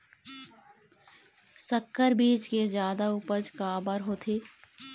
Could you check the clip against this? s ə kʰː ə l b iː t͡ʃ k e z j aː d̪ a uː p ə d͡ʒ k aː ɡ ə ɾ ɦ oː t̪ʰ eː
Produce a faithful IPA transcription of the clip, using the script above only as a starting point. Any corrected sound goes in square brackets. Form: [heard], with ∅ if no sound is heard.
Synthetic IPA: s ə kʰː ə [ɾ] b iː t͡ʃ k e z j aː d̪ a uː p ə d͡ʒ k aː [b] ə ɾ ɦ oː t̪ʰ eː